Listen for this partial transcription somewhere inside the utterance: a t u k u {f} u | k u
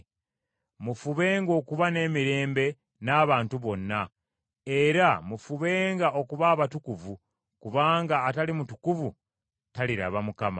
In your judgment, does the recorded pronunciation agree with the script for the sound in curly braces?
no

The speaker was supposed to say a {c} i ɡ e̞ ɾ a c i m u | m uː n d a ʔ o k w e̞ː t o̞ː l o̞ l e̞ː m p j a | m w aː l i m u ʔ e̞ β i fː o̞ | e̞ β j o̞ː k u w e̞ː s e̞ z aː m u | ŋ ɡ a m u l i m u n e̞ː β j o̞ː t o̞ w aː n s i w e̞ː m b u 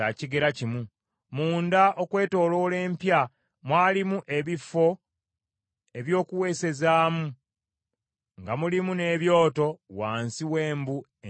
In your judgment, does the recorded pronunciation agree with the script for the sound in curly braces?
yes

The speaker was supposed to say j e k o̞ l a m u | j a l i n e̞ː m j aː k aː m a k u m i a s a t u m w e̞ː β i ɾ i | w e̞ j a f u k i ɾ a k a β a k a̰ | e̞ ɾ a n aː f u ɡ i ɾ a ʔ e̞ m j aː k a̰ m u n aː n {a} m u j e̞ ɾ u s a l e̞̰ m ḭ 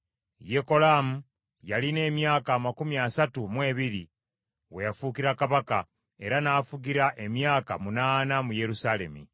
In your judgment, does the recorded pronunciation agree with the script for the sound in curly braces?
yes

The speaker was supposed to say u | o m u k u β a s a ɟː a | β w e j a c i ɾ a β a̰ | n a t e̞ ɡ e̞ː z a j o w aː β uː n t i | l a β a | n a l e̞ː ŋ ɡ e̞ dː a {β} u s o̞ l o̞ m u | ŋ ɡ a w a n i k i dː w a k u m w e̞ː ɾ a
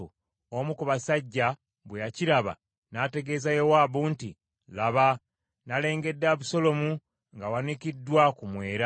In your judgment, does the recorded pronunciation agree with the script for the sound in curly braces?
yes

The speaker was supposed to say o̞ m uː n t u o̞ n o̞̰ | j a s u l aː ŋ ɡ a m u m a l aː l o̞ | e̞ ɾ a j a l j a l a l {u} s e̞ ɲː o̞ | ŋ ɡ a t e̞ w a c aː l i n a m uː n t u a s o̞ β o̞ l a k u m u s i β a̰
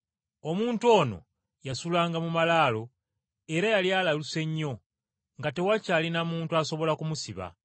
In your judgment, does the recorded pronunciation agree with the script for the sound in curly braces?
yes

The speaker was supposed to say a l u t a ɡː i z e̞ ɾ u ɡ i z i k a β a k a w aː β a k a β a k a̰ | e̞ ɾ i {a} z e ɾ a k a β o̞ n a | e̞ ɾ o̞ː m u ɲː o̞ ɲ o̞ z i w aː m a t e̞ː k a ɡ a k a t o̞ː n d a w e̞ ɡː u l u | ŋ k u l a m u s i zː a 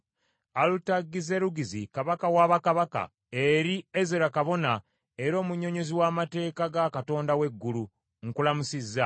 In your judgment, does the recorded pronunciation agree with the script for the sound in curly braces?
no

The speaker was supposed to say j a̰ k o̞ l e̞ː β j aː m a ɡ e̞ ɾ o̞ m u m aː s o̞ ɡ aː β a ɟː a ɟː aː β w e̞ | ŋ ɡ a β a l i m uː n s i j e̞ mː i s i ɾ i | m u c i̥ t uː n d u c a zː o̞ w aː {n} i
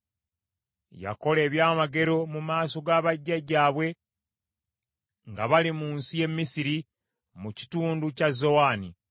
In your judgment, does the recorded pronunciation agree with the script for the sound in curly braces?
yes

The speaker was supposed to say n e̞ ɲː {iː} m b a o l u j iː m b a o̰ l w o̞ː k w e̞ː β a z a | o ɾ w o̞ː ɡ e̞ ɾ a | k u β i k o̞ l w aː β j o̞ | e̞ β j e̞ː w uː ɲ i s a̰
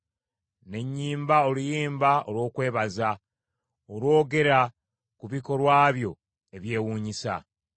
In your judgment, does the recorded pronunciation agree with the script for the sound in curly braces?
yes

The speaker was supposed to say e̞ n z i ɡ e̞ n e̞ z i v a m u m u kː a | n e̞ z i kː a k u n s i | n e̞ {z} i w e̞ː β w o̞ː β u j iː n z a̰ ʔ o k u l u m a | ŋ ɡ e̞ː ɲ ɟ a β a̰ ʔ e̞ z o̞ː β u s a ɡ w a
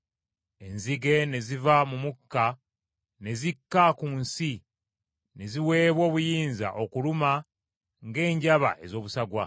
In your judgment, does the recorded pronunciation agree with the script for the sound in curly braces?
yes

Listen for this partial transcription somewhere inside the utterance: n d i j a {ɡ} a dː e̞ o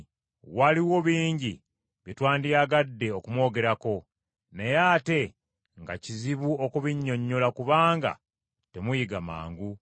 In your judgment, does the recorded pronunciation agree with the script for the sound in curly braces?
yes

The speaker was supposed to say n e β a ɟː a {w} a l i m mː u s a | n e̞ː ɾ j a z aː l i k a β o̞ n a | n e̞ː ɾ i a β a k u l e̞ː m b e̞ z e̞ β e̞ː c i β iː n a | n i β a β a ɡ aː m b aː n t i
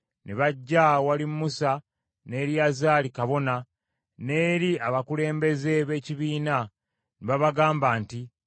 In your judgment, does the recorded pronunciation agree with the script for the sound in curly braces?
yes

